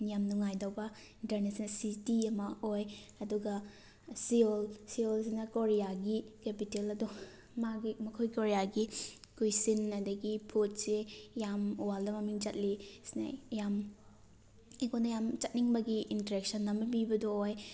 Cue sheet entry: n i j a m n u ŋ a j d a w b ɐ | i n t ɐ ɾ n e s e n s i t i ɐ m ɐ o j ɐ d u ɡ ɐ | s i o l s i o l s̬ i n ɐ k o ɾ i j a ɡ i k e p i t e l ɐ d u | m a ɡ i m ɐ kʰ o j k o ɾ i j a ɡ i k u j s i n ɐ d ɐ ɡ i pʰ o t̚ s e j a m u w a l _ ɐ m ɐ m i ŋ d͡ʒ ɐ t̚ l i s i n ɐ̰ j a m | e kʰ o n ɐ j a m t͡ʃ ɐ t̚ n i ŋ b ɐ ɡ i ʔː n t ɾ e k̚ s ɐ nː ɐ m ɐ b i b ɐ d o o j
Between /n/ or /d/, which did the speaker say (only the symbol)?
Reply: d